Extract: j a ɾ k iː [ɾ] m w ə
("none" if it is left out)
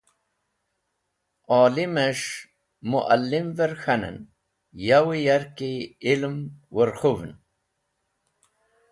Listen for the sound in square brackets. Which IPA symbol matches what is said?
l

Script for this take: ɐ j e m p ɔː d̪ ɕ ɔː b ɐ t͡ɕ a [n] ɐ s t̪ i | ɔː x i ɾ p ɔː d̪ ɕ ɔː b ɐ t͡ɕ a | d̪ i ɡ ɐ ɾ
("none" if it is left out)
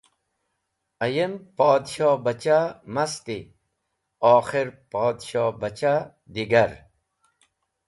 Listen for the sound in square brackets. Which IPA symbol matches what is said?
m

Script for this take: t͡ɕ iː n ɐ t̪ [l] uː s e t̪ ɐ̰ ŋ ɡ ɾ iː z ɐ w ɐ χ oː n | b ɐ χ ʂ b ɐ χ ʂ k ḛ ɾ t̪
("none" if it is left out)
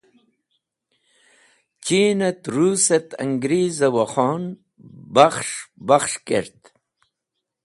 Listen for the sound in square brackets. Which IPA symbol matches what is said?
ɾ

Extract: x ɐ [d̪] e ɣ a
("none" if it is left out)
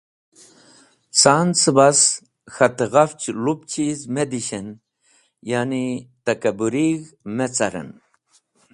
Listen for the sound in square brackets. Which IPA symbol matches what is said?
t̪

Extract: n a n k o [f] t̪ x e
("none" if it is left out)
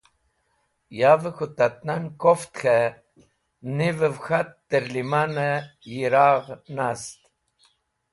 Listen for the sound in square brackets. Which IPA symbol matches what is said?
f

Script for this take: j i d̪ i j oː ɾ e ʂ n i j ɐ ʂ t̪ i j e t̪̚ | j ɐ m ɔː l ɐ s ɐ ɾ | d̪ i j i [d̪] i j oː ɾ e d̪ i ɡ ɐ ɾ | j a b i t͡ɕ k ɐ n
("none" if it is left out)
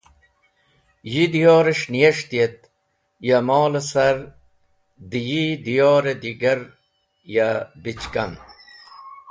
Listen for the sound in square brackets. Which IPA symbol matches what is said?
d̪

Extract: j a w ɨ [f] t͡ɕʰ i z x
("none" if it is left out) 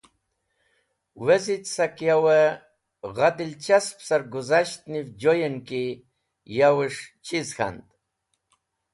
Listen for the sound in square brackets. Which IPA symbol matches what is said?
ʂ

